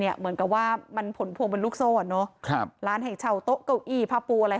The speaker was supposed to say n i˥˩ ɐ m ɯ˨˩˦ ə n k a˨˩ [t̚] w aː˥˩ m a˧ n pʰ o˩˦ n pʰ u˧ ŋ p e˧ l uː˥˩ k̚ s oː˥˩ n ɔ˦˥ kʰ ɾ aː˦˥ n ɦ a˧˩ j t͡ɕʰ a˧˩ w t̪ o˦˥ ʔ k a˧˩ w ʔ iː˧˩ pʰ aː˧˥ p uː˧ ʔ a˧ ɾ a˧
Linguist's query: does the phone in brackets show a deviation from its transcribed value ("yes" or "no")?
yes